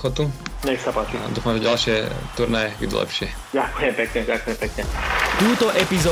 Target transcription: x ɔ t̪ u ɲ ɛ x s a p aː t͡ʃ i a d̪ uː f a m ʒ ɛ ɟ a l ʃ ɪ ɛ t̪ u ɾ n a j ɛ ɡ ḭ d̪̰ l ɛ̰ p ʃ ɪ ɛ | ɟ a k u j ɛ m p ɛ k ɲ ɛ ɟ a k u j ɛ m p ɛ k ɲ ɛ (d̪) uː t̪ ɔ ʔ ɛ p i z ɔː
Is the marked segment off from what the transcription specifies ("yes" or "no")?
yes